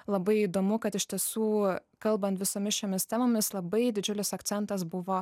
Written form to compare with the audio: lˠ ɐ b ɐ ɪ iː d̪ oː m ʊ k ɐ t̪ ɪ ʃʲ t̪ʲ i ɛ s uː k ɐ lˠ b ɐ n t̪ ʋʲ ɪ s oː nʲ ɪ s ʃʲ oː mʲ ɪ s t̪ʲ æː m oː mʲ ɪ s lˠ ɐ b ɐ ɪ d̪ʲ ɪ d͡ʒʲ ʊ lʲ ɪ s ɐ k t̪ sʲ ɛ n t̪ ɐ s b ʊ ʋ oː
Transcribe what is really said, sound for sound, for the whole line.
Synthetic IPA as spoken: lˠ ɐ b ɐ ɪ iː d̪ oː m ʊ k ɐ t̪ ɪ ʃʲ t̪ʲ i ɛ s uː k ɐ lˠ b ɐ n t̪ ʋʲ ɪ s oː mʲ ɪ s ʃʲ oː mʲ ɪ s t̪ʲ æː m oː mʲ ɪ s lˠ ɐ b ɐ ɪ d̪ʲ ɪ d͡ʒʲ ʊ lʲ ɪ s ɐ k t̪ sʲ ɛ n t̪ ɐ s b ʊ ʋ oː